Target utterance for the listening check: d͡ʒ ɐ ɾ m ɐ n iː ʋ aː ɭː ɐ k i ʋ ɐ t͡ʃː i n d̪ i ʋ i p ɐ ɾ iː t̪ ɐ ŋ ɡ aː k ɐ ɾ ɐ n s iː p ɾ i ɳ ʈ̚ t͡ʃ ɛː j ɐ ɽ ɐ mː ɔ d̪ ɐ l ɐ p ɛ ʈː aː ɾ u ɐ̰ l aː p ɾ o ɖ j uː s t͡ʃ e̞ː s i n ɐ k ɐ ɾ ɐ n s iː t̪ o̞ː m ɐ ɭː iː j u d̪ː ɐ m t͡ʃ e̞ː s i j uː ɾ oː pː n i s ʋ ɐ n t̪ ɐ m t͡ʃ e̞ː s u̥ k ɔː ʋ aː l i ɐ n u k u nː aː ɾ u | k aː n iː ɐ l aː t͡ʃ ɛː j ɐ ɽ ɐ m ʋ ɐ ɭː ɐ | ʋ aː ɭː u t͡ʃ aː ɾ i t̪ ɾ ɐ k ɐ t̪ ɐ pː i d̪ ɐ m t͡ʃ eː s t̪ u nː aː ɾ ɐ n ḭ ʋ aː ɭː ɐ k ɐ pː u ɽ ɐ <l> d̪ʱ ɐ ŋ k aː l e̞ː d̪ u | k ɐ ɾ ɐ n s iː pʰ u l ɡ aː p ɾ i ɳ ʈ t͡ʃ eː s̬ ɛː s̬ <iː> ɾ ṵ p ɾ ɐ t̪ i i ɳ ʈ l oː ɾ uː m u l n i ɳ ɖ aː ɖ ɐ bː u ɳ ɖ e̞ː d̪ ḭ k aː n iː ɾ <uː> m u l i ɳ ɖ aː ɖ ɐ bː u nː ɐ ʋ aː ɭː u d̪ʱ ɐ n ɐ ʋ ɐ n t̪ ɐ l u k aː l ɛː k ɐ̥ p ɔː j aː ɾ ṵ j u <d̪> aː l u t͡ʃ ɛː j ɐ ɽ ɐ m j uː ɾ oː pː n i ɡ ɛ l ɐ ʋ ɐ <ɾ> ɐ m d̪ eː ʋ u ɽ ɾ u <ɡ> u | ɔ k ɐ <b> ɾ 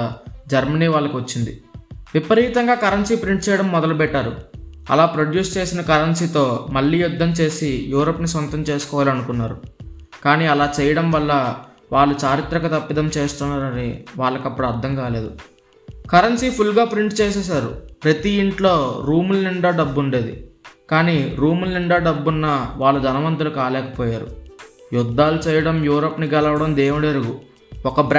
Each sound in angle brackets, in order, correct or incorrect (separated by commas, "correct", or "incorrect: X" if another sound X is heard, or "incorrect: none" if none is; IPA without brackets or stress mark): incorrect: ɾ, incorrect: aː, correct, incorrect: d̪ː, incorrect: ɽ, correct, correct